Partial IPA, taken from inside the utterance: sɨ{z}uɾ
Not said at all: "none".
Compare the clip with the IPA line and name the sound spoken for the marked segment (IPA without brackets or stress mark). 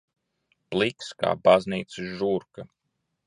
ʒ